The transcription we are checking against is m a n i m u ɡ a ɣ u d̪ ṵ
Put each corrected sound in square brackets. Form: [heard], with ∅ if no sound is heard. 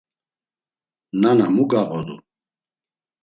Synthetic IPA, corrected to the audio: [n] a n [a] m u ɡ a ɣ [ɔ] d̪ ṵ